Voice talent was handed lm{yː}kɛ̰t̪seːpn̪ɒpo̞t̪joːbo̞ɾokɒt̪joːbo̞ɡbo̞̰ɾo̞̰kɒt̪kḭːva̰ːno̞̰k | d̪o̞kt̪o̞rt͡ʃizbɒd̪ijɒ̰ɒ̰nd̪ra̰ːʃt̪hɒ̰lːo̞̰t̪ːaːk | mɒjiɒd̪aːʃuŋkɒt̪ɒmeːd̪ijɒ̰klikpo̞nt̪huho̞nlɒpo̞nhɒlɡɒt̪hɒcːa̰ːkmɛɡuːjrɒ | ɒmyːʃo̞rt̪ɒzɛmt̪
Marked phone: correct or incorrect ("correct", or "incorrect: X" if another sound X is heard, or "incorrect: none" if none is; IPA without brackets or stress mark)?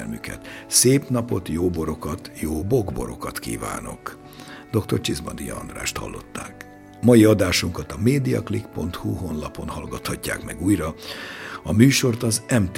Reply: incorrect: y